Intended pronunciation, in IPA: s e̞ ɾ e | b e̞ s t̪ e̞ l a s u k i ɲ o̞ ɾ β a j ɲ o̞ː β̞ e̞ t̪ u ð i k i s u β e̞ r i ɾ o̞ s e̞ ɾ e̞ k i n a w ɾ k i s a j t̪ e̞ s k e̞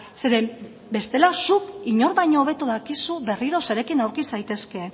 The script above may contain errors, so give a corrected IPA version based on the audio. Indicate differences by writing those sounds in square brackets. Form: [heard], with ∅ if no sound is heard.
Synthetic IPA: s e̞ ɾ e | b e̞ s t̪ e̞ l a s u k i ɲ o̞ ɾ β a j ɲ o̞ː β̞ e̞ t̪ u ð [a] k i s u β e̞ r i ɾ o̞ s e̞ ɾ e̞ k i n a w ɾ k i s a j t̪ e̞ s k e̞